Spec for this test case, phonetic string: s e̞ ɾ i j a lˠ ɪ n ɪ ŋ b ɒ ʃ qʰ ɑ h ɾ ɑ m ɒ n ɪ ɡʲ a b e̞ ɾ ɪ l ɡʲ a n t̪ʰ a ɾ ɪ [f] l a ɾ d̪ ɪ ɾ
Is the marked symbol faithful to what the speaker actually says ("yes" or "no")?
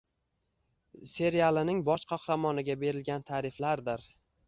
yes